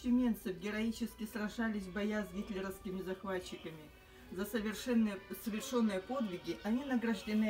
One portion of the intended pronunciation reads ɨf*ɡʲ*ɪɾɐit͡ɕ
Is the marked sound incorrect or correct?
correct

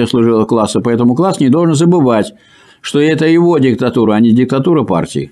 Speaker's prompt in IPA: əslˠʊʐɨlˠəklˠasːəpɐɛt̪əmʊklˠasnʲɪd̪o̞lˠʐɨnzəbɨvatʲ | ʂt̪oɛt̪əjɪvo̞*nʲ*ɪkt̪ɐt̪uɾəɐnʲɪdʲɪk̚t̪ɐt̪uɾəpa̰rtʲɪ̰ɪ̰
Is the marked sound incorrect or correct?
incorrect: dʲ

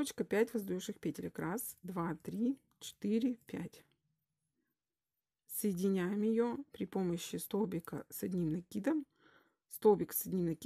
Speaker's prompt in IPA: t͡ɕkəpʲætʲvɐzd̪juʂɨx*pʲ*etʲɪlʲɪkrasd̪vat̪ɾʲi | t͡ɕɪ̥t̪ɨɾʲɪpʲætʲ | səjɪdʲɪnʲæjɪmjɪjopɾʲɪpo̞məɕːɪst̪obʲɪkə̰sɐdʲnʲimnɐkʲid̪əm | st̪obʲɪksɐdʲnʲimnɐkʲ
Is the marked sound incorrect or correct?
correct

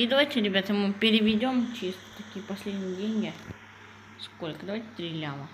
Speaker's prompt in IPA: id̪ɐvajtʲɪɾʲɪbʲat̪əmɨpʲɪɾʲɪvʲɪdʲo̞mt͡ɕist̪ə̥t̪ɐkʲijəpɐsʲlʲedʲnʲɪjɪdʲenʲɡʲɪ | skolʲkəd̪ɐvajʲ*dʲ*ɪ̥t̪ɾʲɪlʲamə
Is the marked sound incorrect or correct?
incorrect: tʲ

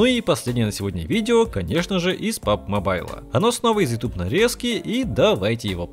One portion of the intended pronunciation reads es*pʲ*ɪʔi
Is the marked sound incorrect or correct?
incorrect: kʲ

